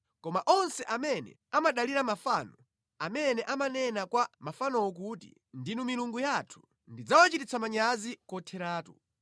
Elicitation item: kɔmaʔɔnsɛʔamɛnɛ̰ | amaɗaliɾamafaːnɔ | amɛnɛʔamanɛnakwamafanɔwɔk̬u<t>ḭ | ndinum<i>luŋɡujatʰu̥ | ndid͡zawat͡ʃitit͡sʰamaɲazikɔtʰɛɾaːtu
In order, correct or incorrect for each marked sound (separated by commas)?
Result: correct, correct